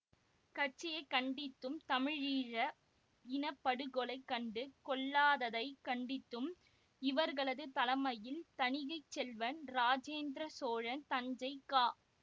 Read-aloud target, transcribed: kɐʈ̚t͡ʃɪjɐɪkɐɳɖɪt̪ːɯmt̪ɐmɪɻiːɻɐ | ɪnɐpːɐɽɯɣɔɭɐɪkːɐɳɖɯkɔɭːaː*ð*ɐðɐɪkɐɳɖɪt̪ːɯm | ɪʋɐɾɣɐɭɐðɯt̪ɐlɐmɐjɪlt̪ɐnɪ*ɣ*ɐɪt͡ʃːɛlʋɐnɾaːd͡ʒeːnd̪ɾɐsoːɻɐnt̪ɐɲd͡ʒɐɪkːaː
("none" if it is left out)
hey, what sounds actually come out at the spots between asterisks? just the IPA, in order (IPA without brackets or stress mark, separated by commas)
ð, ɣ